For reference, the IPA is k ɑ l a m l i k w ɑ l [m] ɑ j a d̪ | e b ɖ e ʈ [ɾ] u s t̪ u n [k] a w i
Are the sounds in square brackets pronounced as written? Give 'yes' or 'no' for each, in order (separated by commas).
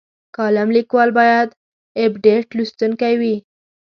no, no, yes